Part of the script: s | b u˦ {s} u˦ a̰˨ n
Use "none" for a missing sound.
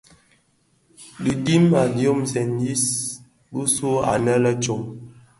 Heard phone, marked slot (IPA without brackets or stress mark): s